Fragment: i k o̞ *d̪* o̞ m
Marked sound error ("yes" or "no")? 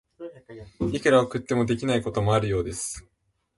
yes